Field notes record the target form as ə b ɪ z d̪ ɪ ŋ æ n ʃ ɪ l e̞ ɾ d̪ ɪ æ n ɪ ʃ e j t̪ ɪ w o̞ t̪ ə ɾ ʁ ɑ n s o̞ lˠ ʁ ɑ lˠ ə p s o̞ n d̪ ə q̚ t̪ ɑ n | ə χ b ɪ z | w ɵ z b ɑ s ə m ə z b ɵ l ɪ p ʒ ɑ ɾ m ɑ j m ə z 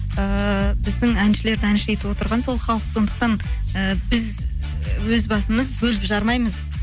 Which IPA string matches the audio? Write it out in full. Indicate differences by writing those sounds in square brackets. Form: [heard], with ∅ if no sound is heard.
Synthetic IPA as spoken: ə b ɪ z d̪ ɪ ŋ æ n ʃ ɪ l e̞ ɾ d̪ ɪ æ n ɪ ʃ e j t̪ ɪ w o̞ t̪ ə ɾ ʁ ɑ n s o̞ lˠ [χ] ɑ lˠ ə [q] s o̞ n d̪ ə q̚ t̪ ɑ n | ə [∅] b ɪ z | w ɵ z b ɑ s ə m ə z b ɵ l ɪ p ʒ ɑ ɾ m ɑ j m ə z